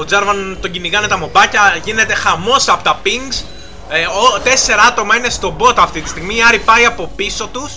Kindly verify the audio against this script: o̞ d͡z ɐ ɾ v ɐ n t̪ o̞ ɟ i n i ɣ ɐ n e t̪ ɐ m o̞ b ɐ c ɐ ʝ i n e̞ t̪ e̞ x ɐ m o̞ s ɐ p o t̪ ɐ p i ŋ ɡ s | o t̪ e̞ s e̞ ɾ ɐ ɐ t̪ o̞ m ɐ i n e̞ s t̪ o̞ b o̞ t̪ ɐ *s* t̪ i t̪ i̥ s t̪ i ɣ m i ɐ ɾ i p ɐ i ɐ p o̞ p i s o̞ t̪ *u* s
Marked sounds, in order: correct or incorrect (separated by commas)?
incorrect, correct